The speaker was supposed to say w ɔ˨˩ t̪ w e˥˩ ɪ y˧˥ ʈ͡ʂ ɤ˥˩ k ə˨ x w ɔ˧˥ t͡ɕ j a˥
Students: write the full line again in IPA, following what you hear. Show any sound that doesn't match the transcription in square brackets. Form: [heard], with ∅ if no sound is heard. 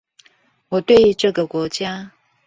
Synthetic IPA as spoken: w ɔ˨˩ t̪ w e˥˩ ɪ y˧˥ ʈ͡ʂ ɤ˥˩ [ɡ] ə˨ [k] w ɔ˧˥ t͡ɕ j a˥